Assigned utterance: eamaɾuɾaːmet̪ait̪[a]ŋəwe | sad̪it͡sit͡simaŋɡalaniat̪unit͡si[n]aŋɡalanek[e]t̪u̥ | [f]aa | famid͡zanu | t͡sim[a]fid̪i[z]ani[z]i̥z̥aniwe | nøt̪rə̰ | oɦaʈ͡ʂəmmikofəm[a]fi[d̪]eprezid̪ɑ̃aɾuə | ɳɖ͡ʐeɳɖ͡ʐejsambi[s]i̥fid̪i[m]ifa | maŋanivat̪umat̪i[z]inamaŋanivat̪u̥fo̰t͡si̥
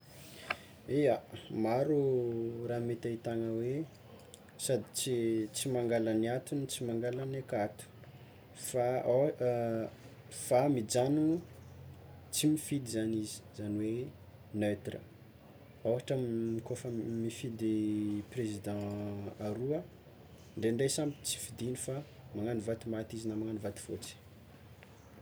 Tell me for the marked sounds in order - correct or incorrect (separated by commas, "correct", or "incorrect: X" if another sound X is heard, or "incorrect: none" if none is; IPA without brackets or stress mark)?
correct, incorrect: m, incorrect: a, correct, incorrect: i, correct, correct, incorrect: i, correct, incorrect: t͡s, incorrect: n, correct